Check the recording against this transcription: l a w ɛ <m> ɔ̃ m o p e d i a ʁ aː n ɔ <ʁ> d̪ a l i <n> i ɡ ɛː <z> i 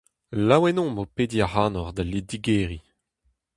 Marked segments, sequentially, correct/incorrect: incorrect, correct, incorrect, incorrect

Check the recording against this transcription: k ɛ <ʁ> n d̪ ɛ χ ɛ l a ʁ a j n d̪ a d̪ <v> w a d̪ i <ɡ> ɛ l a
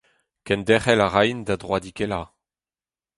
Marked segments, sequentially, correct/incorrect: incorrect, incorrect, incorrect

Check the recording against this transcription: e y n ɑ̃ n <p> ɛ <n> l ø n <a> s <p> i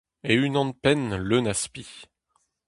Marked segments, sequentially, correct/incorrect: correct, correct, correct, correct

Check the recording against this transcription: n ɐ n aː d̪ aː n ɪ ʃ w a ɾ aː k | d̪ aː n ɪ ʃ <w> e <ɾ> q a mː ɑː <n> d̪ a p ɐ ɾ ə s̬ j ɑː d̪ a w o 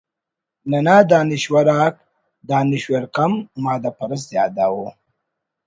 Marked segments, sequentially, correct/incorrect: correct, correct, incorrect

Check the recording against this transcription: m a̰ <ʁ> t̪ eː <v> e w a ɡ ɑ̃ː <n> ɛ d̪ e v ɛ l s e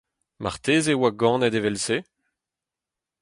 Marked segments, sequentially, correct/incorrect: correct, incorrect, correct

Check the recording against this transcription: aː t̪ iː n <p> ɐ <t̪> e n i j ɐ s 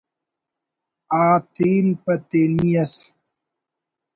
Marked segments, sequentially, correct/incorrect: correct, correct

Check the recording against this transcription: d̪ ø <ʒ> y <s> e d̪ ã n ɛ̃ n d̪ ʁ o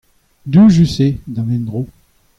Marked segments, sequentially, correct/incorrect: correct, correct

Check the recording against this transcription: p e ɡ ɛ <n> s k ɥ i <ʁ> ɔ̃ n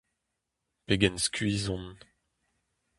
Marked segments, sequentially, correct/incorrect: correct, incorrect

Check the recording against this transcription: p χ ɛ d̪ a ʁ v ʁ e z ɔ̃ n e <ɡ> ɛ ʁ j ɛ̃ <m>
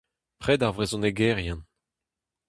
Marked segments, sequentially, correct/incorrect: correct, incorrect

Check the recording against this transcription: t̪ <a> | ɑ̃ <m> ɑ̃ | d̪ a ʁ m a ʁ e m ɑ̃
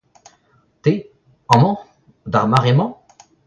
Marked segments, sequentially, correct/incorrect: incorrect, correct

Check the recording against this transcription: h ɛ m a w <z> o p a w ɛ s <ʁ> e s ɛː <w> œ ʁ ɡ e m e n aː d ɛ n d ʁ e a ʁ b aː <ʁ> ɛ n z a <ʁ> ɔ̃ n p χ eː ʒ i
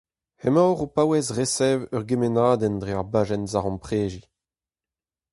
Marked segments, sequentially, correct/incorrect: incorrect, correct, incorrect, incorrect, correct

